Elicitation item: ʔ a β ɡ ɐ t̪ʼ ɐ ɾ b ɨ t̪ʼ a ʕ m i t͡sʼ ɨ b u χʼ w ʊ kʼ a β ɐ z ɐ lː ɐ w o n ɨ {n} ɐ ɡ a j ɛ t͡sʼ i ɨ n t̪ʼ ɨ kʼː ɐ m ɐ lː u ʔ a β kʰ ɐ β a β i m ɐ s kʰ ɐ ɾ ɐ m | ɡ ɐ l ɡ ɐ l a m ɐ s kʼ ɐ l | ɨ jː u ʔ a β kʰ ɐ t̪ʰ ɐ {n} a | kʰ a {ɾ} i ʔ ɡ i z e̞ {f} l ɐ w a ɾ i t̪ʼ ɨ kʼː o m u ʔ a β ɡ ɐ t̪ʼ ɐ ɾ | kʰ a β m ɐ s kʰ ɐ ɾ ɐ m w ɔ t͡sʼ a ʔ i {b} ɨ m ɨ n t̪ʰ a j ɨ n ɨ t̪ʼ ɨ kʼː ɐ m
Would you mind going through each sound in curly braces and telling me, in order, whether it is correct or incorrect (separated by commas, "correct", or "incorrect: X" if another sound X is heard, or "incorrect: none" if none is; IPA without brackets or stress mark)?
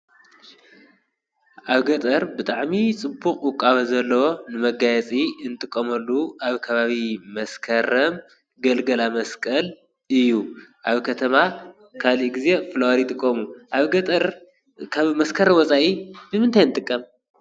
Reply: incorrect: m, incorrect: m, incorrect: l, correct, correct